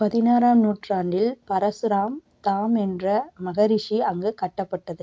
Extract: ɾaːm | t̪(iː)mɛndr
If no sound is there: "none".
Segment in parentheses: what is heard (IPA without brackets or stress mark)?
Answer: aː